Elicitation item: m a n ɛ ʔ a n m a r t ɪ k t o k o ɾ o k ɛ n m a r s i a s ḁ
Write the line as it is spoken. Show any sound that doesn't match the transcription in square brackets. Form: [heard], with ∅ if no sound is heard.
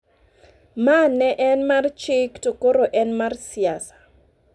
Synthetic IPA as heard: m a n ɛ ʔ [ɛ] n m a r [t͡ʃ] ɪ k t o k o ɾ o [ʔ] ɛ n m a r s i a s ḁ